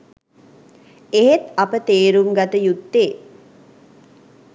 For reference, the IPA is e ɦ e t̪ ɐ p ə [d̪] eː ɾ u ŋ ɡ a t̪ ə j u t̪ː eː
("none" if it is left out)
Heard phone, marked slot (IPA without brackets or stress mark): t̪